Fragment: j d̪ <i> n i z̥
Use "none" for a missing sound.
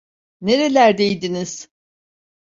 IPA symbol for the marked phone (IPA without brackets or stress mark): i